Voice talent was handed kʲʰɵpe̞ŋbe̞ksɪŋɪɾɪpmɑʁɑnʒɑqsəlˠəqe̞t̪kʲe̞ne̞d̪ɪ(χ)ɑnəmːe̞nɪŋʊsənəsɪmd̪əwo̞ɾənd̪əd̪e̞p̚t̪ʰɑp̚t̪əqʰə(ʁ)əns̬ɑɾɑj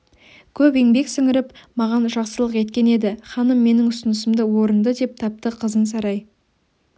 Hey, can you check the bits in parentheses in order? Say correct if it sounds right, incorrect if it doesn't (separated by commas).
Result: correct, incorrect